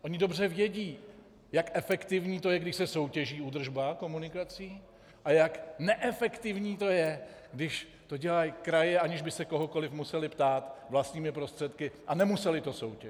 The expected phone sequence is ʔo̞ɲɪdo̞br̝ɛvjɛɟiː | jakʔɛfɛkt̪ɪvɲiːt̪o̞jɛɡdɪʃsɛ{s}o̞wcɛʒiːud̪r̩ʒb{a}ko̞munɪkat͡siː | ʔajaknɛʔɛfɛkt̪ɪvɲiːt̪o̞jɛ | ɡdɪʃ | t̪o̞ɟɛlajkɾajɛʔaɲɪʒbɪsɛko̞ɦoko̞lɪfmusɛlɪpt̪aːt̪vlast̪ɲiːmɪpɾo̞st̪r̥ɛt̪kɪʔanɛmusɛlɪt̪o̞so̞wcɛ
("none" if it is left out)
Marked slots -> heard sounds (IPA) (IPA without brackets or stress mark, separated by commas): s, a